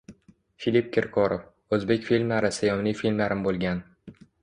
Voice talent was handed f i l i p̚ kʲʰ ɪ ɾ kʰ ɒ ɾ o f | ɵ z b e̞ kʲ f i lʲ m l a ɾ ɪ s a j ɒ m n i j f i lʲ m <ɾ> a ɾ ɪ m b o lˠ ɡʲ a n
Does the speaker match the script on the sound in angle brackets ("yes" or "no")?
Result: no